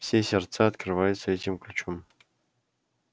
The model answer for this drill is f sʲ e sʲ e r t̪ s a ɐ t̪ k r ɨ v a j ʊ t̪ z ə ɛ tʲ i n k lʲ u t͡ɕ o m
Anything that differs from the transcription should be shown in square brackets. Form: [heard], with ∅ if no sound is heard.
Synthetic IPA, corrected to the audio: f sʲ e sʲ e r t̪ s a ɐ t̪ k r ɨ v a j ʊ t̪ [s] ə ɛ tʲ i [m] k lʲ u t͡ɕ o m